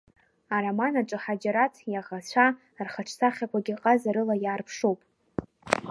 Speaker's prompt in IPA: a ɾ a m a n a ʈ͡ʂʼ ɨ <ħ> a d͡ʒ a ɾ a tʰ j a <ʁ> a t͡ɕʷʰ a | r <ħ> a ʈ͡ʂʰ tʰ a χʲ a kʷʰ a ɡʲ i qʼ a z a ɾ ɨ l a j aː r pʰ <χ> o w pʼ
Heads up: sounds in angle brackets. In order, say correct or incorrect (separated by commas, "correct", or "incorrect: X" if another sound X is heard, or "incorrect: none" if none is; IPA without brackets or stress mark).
correct, correct, incorrect: χ, incorrect: ʂ